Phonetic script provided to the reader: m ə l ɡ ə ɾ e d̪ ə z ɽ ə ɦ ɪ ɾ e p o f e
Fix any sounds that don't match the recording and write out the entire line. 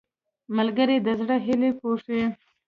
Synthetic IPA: m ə l ɡ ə ɾ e d̪ ə z ɽ ə ɦ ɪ l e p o ʂ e